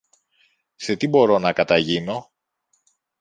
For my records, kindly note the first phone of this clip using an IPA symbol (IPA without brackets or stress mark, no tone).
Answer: s